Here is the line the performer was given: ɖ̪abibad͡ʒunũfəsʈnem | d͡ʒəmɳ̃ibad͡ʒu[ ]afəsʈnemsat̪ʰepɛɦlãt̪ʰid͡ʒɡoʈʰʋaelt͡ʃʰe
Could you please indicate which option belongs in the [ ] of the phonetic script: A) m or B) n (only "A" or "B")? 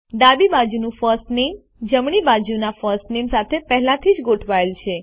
B